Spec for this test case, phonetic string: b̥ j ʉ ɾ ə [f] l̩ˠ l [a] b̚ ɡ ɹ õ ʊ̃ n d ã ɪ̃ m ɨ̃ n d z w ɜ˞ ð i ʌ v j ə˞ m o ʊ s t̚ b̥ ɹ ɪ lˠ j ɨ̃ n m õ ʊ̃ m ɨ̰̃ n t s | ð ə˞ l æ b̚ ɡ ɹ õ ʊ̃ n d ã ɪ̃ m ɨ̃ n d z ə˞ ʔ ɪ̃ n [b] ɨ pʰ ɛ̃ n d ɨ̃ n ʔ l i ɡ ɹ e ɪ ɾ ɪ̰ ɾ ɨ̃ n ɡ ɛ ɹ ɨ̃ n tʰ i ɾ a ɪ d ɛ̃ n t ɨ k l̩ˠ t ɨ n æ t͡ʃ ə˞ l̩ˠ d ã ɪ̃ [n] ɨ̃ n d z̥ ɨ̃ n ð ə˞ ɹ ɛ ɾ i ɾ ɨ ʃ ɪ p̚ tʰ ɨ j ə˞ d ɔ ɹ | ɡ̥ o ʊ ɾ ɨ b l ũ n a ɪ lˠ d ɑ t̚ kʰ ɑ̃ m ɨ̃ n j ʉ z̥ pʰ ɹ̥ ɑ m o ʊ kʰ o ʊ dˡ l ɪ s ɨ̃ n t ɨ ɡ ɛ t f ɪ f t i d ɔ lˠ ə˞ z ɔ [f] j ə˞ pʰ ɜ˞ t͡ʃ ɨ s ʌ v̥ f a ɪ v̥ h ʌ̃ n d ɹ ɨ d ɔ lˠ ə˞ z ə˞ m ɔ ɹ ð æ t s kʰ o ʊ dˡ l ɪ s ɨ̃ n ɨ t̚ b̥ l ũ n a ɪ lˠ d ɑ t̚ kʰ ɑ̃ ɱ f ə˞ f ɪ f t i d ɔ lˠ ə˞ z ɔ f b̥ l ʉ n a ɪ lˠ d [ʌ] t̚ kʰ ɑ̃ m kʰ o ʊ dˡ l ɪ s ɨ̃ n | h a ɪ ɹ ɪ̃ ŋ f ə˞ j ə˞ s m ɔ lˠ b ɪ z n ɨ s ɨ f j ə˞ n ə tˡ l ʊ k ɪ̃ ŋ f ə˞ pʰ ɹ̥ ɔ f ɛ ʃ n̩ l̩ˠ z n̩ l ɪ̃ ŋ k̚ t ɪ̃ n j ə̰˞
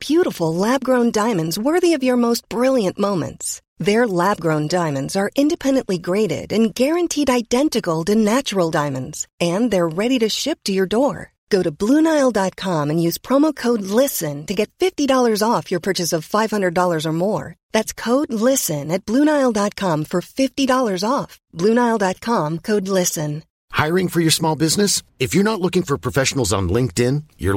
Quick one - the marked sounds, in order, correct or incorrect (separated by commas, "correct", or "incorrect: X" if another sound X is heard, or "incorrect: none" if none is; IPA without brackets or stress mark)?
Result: correct, incorrect: æ, incorrect: d, incorrect: m, correct, incorrect: ɑ